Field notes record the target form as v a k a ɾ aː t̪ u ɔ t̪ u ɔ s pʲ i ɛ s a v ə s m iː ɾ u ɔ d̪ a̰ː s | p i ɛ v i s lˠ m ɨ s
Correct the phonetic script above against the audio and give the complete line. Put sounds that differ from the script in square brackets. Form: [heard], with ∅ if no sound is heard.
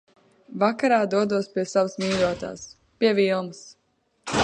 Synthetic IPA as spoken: v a k a ɾ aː [d̪] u ɔ [d̪] u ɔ s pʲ i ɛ s a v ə s m iː ɾ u ɔ [t̪] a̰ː s | p i ɛ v i [∅] lˠ m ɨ s